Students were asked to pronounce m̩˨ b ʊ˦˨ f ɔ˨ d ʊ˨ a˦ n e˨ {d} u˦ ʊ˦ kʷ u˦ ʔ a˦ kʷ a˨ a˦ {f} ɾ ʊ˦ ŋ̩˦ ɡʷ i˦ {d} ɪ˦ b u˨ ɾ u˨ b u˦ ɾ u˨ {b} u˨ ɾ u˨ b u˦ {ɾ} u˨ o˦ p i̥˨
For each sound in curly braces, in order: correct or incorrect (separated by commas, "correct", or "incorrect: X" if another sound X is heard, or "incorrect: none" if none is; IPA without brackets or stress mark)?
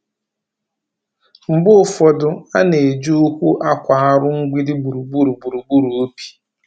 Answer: incorrect: d͡ʒ, incorrect: none, correct, correct, correct